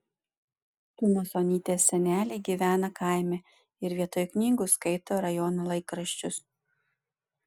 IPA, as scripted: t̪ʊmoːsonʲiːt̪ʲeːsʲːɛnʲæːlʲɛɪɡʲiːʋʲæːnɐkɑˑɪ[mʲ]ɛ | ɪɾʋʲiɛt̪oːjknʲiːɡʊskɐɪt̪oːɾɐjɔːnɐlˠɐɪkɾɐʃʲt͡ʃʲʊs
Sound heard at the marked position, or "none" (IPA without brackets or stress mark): mʲ